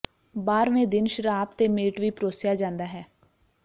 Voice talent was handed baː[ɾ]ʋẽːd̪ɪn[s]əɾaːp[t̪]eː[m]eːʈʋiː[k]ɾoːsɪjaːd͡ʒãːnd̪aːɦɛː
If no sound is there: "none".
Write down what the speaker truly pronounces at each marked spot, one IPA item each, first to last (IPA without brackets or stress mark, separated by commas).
ɾ, ʃ, t̪, m, p